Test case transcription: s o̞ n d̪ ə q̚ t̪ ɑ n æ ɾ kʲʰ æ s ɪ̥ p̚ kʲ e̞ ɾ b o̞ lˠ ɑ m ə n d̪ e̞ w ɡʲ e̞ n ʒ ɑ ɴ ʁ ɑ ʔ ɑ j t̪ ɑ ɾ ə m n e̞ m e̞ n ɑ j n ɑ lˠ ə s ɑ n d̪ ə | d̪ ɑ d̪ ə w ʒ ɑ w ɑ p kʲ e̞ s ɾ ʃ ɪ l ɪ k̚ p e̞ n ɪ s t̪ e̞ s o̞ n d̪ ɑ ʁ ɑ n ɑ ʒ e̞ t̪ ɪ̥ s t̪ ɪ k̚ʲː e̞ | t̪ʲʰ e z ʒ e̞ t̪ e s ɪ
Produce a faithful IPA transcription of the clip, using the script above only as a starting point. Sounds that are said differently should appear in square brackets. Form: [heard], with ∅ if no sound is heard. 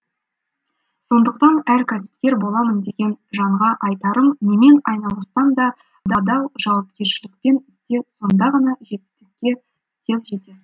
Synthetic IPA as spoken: s o̞ n d̪ ə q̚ t̪ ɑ n æ ɾ kʲʰ æ s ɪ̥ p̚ kʲ e̞ ɾ b o̞ lˠ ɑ m ə n d̪ e̞ [∅] ɡʲ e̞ n ʒ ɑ ɴ ʁ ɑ ʔ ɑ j t̪ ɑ ɾ ə m n e̞ m e̞ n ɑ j n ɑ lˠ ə s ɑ n d̪ [ɑ] | d̪ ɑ d̪ [ɑ] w ʒ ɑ w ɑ p kʲ e̞ [∅] ɾ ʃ ɪ l ɪ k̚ p e̞ n ɪ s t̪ e̞ s o̞ n d̪ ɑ ʁ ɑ n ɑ ʒ e̞ t̪ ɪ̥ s t̪ ɪ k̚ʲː e̞ | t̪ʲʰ e z ʒ e̞ t̪ e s ɪ